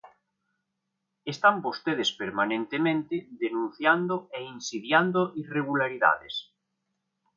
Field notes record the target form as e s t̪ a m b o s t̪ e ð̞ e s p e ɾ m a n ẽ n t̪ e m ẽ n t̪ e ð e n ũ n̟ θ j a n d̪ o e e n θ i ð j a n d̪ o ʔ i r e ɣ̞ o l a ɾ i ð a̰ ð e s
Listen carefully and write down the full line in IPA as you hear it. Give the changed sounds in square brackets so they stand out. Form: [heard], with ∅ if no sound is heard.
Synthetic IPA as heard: e s t̪ a m b o s t̪ e ð̞ e s p e ɾ m a n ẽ n t̪ e m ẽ n t̪ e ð e n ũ n̟ θ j a n d̪ o e [i] n [s] i ð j a n d̪ o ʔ i r e ɣ̞ [u] l a ɾ i ð a̰ ð e s